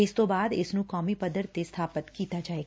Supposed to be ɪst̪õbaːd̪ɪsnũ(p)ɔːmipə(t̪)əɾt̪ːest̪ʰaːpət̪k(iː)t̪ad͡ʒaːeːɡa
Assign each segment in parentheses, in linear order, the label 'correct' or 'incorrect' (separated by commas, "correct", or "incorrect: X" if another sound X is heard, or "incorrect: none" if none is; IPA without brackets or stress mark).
incorrect: k, incorrect: d̪, correct